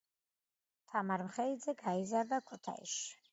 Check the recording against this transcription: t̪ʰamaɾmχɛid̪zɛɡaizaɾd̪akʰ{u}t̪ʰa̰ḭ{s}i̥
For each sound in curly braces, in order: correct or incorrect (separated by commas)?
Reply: correct, incorrect